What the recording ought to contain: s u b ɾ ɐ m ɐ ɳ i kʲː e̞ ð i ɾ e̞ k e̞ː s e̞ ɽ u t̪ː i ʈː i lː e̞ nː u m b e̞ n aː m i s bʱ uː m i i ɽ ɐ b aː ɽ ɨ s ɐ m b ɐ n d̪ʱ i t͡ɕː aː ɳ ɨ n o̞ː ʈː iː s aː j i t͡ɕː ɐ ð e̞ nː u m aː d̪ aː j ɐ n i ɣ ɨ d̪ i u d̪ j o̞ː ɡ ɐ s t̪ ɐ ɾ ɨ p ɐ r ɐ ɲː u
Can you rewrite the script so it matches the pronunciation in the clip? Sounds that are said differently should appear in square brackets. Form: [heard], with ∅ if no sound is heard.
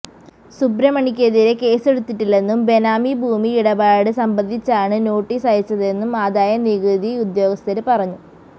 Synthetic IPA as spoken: s u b ɾ ɐ m ɐ ɳ i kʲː e̞ ð i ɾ e̞ k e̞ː s e̞ ɽ u t̪ː i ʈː i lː e̞ nː u m b e̞ n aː m i [∅] bʱ uː m i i ɽ ɐ b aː ɽ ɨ s ɐ m b ɐ n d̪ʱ i t͡ɕː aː ɳ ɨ n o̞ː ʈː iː s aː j i t͡ɕː ɐ ð e̞ nː u m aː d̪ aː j ɐ n i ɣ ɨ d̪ i u d̪ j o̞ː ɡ ɐ s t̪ ɐ ɾ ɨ p ɐ r ɐ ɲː u